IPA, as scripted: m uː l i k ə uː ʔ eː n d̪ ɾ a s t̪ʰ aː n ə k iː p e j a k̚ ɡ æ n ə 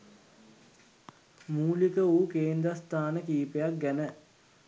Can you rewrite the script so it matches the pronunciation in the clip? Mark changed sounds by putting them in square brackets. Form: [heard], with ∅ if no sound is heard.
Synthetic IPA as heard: m uː l i k ə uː [k] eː n d̪ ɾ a s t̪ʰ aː n ə k iː p e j a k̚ ɡ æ n ə